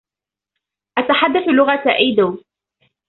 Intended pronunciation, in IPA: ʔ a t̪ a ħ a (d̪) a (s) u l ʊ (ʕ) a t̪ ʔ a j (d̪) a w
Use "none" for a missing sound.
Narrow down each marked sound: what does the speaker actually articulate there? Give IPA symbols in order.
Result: d̪ː, θ, ɣ, d̪

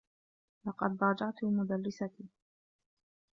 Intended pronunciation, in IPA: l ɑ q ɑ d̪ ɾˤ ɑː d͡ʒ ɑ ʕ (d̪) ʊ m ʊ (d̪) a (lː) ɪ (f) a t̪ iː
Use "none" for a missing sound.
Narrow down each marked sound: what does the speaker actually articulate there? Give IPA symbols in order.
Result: t̪, d̪, lː, s

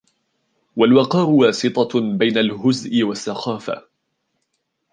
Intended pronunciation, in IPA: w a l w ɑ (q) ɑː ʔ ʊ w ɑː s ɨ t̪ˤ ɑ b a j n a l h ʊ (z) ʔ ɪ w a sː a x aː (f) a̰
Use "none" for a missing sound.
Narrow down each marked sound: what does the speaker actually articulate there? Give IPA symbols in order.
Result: q, z, f

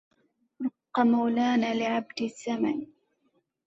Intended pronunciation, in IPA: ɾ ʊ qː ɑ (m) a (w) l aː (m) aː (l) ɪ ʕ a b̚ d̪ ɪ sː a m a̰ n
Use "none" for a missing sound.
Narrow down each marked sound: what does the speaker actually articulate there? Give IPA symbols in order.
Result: m, w, n, l

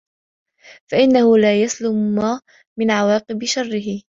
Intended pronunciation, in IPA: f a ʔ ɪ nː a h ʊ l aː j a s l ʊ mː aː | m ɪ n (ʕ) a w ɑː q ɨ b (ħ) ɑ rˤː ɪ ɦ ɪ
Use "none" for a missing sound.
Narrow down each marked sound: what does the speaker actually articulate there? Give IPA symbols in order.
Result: ʕ, ʃ

